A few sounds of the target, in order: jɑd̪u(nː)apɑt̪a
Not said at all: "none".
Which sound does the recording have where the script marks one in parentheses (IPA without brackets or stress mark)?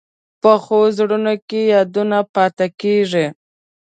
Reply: n